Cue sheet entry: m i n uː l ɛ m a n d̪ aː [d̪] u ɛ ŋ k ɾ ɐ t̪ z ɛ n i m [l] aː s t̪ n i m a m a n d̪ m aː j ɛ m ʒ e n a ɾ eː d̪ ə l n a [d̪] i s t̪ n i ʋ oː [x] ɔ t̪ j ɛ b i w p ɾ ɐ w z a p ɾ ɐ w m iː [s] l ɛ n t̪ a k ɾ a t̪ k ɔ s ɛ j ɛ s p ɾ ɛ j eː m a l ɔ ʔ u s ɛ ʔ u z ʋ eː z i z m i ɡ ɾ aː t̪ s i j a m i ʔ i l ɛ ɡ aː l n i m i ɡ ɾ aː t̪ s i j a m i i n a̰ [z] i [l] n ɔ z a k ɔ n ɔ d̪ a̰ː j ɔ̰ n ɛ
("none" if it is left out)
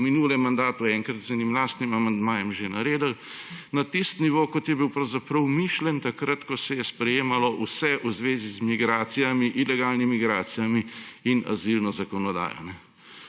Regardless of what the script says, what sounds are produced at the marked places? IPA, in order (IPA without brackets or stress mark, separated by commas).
t̪, l, t̪, k, ʃ, z, l